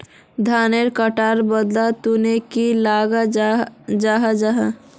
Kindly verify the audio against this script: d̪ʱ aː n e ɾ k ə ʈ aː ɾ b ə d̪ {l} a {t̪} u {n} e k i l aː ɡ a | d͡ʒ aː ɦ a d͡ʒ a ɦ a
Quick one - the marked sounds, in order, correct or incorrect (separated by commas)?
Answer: correct, correct, correct